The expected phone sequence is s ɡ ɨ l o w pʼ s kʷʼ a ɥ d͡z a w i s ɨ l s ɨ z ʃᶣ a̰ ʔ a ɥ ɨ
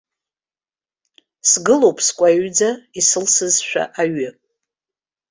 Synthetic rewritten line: s ɡ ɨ l o w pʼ s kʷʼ a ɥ d͡z a i s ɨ l s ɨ z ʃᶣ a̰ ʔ a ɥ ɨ